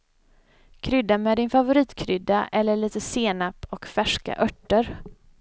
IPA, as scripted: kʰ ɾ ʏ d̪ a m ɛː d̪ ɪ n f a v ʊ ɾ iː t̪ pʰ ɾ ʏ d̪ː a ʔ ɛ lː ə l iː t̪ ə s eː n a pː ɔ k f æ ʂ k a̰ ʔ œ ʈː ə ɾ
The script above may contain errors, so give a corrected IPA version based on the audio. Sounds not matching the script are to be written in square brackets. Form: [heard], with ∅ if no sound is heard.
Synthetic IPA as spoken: kʰ ɾ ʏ d̪ a m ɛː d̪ ɪ n f a v ʊ ɾ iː t̪ [kʰ] ɾ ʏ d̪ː a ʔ ɛ lː ə [ɭ] iː t̪ ə s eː n a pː ɔ k f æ ʂ k a̰ ʔ œ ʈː ə ɾ